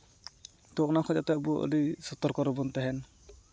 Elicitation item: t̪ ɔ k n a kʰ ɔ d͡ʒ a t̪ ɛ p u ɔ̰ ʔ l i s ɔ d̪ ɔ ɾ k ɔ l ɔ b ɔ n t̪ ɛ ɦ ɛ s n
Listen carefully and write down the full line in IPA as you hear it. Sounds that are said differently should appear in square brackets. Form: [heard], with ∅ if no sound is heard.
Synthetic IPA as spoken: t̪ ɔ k n a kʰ ɔ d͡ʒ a t̪ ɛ [b] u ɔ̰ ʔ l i s ɔ [t̪] ɔ ɾ k ɔ [ɾ] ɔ b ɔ n t̪ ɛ ɦ ɛ [∅] n